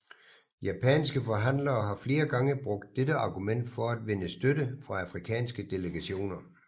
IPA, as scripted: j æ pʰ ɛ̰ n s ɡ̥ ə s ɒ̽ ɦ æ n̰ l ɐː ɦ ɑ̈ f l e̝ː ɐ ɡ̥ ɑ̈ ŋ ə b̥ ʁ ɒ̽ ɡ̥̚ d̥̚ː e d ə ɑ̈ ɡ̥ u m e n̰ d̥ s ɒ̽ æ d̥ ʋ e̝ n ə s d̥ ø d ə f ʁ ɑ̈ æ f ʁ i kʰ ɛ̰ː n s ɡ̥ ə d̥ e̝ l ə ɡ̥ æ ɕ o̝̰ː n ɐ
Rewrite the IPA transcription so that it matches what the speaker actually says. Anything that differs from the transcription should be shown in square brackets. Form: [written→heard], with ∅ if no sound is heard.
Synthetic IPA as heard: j æ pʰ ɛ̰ n s ɡ̥ ə [s→f] ɒ̽ ɦ æ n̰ l ɐː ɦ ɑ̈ f l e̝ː ɐ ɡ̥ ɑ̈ ŋ ə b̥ ʁ [ɒ̽→ɔ̽] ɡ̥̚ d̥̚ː e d ə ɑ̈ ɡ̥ u m e n̰ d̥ [s→f] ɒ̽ æ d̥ ʋ e̝ n ə s d̥ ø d ə f ʁ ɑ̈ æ f ʁ i kʰ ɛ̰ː n s ɡ̥ ə d̥ e̝ l ə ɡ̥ æ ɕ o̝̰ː n ɐ